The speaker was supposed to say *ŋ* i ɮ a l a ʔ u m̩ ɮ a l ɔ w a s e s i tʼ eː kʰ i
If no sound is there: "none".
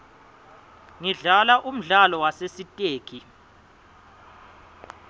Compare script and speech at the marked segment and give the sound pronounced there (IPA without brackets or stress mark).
ŋ